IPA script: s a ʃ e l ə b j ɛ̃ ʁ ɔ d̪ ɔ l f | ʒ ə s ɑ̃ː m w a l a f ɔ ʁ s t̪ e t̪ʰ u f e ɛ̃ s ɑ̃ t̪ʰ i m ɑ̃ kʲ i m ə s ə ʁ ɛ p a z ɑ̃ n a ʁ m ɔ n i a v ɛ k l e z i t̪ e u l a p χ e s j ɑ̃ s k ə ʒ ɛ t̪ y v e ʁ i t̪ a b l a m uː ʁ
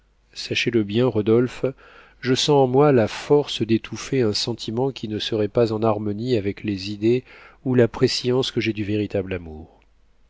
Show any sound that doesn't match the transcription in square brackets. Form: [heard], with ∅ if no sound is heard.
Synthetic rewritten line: s a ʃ e l ə b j ɛ̃ ʁ ɔ d̪ ɔ l f | ʒ ə s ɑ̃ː m w a l a f ɔ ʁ s [d̪] e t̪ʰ u f e ɛ̃ s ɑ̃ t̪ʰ i m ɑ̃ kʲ i [n] ə s ə ʁ ɛ p a z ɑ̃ n a ʁ m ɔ n i a v ɛ k l e z i [d̪] e u l a p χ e s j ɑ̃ s k ə ʒ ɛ [d̪] y v e ʁ i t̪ a b l a m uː ʁ